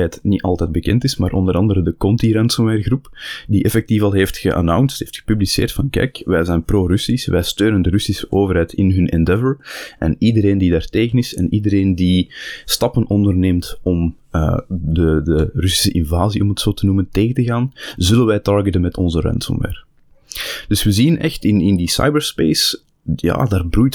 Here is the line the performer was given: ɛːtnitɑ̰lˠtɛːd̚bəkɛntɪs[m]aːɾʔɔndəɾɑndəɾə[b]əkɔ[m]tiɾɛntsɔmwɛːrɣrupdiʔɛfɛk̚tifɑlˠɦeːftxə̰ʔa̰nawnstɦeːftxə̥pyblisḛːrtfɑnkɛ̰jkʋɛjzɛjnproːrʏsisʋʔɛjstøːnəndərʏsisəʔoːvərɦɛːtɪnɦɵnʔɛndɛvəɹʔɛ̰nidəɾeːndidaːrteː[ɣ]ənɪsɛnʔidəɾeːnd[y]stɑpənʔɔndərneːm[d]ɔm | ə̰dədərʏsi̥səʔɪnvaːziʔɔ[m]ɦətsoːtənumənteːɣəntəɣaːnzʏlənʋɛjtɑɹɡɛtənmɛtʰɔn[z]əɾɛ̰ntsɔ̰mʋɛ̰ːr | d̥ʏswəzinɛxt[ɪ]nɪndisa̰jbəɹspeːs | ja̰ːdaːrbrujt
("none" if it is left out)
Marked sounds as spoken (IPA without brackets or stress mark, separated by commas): m, d, n, ɣ, i, t, m, z, ɪ